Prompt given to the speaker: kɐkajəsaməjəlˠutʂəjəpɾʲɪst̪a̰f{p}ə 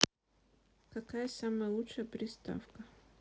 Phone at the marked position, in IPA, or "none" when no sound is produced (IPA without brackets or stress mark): k